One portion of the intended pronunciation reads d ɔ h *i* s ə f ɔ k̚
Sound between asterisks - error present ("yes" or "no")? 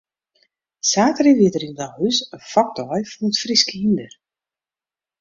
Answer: yes